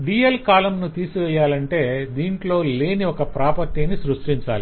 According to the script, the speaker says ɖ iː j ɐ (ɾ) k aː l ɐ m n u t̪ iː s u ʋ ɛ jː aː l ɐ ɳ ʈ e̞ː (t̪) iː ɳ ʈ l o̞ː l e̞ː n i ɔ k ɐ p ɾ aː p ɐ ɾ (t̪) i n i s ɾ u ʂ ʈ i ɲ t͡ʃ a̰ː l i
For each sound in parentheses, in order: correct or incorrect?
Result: incorrect, incorrect, correct

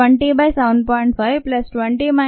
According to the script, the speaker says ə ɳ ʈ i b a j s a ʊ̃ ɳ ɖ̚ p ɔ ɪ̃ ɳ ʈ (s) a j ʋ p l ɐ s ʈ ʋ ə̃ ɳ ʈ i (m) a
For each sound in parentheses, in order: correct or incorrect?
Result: incorrect, correct

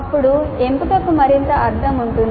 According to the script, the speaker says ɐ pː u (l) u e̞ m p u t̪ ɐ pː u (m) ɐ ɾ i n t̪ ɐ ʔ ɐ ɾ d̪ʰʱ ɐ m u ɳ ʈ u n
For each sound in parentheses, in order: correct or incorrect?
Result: incorrect, correct

